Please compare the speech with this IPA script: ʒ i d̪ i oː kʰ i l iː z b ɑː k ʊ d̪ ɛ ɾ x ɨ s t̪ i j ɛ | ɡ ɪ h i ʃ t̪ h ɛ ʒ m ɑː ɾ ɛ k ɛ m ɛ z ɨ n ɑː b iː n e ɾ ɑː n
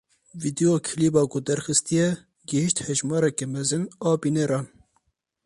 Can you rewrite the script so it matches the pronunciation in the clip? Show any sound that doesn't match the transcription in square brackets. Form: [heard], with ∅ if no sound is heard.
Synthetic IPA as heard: [v] i d̪ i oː kʰ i l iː [∅] b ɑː k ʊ d̪ ɛ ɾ x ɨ s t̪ i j ɛ | ɡ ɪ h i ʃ t̪ h ɛ ʒ m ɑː ɾ ɛ k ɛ m ɛ z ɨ n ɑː b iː n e ɾ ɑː n